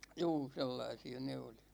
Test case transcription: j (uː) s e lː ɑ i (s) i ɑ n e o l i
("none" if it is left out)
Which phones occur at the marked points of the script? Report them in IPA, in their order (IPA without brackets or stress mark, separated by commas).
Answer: uː, s